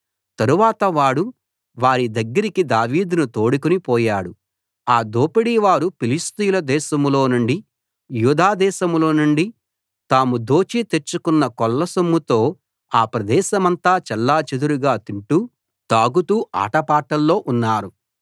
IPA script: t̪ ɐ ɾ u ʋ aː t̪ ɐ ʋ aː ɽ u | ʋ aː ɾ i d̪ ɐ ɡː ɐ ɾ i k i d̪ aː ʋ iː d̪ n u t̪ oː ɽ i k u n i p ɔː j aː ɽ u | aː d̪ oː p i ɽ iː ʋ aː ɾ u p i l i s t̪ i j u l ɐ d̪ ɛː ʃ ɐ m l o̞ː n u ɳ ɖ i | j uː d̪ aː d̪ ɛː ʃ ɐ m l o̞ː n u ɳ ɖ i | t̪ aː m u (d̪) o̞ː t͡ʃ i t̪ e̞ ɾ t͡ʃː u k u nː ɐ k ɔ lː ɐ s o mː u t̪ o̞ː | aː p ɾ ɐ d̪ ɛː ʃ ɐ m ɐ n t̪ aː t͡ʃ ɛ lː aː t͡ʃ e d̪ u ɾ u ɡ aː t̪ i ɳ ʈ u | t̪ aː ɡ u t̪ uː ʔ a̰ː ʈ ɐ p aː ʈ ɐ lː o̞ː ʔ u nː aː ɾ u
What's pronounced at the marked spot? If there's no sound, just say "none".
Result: d̪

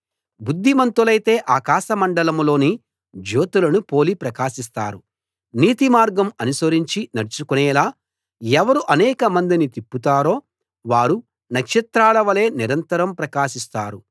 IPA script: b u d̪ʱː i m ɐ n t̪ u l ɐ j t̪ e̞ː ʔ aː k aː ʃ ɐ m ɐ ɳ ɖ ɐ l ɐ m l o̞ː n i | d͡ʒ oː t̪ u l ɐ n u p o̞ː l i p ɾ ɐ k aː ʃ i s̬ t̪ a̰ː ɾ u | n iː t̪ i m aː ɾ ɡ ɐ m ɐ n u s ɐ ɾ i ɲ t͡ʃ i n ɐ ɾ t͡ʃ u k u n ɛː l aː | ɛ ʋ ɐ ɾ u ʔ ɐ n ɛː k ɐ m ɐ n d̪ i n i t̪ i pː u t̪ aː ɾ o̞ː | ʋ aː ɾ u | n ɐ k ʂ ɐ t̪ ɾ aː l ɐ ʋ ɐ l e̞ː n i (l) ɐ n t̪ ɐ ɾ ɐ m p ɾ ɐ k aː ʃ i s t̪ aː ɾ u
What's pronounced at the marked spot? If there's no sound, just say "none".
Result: ɾ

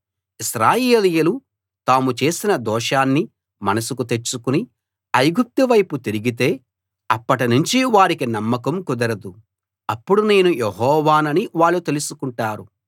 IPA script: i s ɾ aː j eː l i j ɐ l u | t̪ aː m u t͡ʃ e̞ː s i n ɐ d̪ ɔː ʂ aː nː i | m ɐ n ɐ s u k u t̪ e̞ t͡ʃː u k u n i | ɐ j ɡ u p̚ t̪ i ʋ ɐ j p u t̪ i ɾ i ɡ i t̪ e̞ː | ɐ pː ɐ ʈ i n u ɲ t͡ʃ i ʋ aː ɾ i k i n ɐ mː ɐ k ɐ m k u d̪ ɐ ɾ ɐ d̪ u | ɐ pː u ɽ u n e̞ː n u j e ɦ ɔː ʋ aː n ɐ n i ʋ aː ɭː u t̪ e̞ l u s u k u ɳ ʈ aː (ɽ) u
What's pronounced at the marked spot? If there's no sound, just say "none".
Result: ɾ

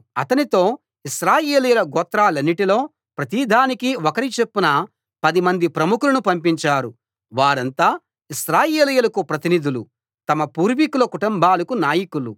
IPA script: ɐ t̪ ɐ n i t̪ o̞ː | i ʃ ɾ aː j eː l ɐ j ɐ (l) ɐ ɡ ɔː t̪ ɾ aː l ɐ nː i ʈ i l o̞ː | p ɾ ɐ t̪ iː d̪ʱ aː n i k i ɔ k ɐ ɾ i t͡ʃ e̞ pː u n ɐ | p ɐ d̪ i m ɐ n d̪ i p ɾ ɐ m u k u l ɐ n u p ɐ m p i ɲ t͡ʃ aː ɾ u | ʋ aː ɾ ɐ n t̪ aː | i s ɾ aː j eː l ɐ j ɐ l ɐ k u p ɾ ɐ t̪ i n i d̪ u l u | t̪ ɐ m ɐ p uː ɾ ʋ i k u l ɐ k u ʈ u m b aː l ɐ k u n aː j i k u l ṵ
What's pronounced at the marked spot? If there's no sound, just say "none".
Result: l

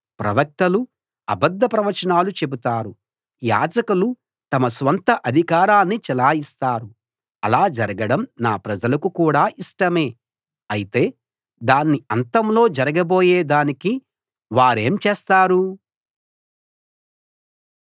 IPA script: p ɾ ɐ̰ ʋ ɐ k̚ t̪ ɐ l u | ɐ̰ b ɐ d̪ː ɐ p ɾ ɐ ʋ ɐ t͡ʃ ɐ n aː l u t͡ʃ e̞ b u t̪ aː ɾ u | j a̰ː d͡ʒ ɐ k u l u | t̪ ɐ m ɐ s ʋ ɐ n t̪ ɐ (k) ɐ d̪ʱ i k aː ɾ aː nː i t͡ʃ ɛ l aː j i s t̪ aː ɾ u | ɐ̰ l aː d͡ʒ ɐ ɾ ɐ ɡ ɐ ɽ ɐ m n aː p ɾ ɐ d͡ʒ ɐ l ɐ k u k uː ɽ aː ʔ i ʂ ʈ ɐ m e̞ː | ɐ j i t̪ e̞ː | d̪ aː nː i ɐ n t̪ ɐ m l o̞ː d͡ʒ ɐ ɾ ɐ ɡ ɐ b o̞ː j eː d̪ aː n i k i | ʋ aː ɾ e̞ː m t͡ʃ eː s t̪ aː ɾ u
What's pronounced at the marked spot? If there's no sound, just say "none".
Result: ʔ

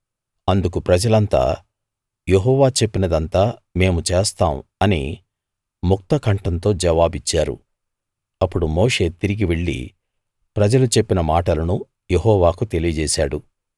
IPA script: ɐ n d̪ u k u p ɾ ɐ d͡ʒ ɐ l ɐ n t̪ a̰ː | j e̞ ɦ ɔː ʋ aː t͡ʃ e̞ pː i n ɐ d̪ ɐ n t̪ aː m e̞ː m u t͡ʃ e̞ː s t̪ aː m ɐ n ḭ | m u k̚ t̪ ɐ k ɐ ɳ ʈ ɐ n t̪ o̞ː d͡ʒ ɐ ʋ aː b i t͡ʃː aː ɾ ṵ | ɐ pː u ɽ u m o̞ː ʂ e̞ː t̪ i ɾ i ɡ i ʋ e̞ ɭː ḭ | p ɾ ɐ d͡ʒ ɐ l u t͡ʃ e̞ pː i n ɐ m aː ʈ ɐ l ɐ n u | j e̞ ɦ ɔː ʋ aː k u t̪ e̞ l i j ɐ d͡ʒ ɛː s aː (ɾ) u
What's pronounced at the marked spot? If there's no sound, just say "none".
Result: ɽ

